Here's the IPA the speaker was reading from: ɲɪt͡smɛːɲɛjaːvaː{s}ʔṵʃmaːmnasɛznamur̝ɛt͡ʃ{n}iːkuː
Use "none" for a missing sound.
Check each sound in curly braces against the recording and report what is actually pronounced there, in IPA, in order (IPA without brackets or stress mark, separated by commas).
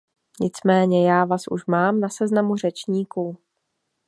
s, ɲ